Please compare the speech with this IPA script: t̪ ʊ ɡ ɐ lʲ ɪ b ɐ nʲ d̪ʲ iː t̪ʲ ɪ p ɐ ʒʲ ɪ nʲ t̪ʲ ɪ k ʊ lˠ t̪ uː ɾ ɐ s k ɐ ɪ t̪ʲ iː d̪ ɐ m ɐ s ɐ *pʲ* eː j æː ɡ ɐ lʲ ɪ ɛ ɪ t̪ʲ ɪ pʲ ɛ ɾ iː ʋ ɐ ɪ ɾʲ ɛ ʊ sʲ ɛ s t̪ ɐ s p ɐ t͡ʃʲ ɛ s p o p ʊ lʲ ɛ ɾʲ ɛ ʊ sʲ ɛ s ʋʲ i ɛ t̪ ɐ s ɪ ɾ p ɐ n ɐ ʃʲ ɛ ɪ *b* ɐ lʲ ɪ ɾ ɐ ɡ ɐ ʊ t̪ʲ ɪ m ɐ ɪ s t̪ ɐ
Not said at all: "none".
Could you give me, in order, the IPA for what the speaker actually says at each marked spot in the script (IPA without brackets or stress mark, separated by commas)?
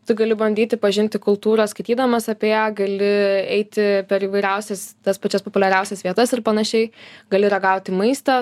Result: pʲ, ɡ